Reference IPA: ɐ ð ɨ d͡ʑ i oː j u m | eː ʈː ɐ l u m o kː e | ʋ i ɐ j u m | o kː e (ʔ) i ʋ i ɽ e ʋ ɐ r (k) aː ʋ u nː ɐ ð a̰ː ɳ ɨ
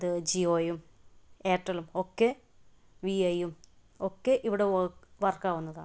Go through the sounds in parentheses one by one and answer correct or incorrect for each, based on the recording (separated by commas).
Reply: correct, correct